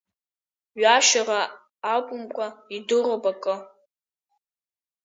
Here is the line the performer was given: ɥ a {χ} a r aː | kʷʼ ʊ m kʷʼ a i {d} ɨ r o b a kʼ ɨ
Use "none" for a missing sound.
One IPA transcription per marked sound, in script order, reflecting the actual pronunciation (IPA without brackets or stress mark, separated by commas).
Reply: ʃ, d